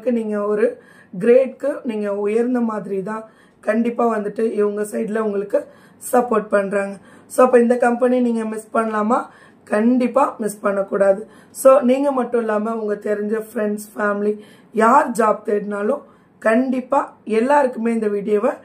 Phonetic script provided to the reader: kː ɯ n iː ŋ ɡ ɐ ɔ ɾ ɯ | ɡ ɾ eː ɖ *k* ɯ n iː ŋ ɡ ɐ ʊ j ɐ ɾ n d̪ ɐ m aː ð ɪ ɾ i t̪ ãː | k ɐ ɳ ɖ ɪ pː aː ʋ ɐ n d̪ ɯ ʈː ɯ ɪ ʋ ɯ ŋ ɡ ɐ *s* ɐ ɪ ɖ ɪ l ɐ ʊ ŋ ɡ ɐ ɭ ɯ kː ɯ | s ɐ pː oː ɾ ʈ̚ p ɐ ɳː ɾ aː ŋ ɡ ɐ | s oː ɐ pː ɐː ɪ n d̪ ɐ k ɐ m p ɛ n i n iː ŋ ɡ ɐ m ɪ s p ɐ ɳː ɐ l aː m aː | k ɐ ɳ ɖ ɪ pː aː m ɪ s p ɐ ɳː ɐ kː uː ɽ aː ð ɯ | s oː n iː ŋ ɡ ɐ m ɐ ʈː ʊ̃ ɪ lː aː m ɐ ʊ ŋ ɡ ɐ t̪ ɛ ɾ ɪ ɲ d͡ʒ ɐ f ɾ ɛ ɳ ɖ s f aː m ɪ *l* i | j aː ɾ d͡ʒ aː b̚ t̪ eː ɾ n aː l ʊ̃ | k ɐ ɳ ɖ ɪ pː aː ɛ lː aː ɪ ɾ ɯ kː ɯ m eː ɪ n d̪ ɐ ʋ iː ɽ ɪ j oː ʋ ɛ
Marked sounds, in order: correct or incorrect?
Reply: correct, correct, correct

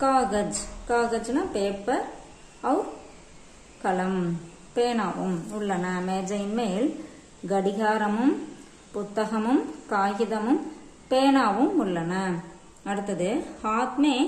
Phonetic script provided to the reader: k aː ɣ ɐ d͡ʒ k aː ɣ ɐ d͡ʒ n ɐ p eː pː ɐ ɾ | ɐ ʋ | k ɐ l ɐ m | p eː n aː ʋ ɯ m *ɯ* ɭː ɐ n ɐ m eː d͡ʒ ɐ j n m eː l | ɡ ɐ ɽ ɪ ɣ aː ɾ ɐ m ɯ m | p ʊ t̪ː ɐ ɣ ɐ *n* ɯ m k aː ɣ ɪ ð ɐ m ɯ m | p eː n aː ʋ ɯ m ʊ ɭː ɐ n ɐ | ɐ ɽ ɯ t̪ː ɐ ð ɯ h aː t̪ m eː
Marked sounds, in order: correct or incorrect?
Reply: incorrect, incorrect

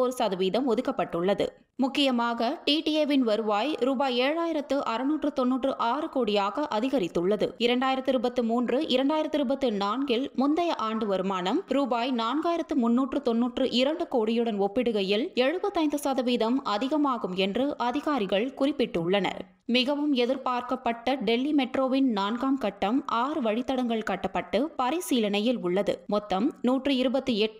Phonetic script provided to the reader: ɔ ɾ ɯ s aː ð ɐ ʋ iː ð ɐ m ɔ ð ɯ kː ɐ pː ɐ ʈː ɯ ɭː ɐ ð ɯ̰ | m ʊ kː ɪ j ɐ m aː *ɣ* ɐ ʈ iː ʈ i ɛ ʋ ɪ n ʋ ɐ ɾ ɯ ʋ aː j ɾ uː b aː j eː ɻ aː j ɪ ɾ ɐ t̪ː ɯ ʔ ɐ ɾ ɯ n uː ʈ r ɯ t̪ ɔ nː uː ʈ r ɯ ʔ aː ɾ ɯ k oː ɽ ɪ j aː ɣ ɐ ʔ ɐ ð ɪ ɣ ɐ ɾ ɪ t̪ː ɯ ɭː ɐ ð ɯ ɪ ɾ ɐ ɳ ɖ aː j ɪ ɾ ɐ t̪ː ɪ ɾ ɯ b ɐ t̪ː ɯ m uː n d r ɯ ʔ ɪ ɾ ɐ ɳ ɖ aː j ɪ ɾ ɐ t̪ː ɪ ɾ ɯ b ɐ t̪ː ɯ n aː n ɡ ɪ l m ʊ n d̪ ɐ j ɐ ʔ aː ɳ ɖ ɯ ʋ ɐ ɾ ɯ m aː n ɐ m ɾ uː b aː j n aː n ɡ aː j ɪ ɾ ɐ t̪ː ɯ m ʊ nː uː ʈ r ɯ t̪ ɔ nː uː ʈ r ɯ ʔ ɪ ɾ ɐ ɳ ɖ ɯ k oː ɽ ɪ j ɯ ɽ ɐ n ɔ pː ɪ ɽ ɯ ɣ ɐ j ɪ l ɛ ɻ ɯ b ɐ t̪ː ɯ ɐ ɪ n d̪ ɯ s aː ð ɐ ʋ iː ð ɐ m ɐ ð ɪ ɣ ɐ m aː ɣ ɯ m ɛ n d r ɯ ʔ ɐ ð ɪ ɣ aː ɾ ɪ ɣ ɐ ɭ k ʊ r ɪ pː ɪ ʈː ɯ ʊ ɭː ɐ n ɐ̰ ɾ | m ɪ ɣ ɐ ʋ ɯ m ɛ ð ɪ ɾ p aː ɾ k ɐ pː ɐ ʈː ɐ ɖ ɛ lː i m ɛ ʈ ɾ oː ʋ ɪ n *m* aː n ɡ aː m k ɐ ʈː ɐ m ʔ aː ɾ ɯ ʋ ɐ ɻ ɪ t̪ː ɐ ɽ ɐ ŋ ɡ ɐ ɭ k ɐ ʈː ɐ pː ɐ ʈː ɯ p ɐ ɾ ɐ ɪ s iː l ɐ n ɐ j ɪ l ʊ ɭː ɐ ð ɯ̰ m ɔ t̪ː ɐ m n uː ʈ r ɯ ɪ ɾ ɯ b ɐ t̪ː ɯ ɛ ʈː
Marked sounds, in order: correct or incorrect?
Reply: correct, incorrect

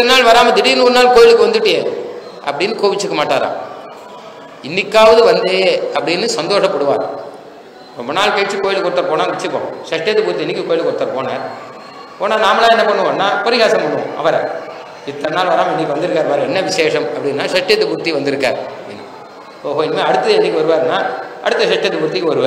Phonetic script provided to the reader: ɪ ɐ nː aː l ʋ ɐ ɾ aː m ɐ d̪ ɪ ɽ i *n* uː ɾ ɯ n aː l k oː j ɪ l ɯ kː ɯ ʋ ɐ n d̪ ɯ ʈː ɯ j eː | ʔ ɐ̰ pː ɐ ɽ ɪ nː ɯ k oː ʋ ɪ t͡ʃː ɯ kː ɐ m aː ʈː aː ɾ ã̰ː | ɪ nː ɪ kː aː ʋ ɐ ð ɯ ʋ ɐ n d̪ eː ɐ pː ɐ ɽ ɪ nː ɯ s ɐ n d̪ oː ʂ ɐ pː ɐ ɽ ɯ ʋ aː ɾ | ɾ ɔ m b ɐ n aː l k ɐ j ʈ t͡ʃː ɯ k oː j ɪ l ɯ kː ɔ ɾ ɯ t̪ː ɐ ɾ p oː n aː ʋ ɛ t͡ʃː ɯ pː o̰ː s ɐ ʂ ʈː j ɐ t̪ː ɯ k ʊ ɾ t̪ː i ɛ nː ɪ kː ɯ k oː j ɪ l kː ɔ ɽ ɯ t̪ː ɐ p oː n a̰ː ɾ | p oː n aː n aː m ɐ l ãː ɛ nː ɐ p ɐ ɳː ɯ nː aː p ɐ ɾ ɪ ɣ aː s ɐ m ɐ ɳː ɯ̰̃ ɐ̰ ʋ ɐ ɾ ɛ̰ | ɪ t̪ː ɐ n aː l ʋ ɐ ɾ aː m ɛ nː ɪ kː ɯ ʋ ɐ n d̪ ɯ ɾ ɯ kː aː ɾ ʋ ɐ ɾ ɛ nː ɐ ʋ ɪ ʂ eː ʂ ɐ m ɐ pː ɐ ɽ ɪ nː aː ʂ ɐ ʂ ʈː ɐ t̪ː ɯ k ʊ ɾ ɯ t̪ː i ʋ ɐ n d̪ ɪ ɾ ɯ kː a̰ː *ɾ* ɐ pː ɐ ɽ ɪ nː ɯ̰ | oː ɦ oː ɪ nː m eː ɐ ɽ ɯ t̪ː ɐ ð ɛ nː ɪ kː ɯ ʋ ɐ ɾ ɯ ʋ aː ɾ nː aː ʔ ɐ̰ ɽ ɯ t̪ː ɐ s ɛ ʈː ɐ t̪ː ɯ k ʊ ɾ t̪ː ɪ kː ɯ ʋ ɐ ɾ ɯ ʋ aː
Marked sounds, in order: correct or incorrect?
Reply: correct, correct

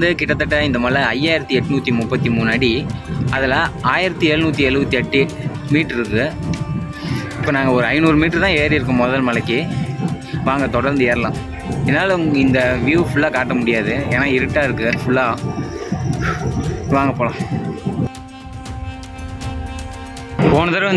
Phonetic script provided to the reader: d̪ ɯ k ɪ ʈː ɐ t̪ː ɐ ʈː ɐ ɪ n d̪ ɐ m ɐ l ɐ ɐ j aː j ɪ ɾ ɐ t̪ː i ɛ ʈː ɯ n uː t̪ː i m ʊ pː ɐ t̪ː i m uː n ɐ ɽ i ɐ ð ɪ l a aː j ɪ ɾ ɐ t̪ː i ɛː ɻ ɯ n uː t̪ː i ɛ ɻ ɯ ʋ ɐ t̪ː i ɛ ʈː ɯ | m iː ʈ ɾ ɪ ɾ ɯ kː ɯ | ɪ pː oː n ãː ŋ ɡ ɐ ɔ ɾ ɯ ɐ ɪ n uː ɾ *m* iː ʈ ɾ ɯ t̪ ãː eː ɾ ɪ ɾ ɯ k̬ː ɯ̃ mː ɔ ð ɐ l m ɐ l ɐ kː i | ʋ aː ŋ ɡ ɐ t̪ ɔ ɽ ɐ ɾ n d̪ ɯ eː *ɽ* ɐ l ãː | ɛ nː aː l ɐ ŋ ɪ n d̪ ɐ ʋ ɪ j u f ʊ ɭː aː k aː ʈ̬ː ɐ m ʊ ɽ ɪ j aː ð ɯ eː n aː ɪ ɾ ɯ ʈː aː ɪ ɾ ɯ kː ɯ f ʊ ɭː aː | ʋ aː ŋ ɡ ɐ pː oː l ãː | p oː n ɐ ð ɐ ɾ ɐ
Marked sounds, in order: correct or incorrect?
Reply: correct, incorrect

